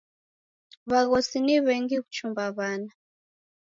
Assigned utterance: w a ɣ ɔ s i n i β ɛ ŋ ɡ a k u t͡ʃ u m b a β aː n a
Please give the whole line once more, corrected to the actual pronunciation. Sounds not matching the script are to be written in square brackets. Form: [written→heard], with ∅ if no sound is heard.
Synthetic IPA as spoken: [w→β] a ɣ ɔ s i n i β ɛ ŋ ɡ [a→i] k u t͡ʃ u m b a β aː n a